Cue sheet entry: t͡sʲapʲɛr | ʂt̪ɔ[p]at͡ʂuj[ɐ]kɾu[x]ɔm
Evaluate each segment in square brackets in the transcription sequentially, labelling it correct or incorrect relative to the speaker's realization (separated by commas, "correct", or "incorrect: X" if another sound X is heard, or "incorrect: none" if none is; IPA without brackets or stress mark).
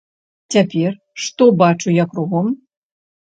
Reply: incorrect: b, incorrect: a, incorrect: ɣ